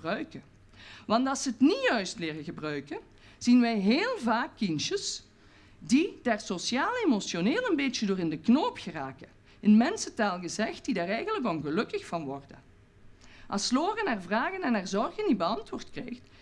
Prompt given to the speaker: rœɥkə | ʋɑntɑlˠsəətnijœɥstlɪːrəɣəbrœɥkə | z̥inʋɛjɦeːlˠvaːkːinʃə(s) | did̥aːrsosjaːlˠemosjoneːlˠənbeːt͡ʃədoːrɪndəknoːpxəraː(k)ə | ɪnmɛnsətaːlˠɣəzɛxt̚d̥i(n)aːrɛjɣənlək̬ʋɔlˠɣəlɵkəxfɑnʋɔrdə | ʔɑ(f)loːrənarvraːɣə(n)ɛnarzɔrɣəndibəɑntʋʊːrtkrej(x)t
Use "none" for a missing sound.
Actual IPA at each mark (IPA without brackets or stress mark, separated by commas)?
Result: s, k, d, s, n, x